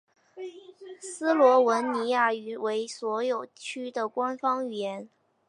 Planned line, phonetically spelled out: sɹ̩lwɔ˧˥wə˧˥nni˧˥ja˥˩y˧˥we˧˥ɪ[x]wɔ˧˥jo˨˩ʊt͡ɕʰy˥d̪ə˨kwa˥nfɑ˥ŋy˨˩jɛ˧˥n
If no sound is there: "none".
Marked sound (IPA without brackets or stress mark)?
s